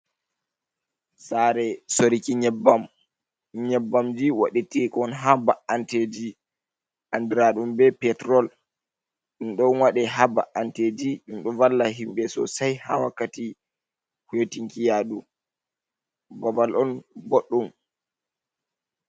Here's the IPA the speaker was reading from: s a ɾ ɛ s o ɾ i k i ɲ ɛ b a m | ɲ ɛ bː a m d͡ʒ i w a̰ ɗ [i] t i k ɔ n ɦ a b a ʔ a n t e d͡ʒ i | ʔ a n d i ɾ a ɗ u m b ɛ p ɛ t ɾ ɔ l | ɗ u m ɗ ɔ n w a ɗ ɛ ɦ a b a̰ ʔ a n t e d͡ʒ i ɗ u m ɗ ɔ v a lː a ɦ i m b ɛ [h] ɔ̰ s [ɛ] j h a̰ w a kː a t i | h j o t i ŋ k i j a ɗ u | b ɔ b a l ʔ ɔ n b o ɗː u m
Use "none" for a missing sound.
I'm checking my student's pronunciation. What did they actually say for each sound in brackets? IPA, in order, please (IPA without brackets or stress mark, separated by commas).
i, s, a